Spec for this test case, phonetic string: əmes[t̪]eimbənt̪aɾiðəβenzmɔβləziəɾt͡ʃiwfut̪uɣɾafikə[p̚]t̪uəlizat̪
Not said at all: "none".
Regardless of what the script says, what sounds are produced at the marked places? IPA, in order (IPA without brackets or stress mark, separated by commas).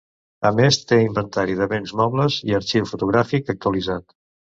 t̪, k̚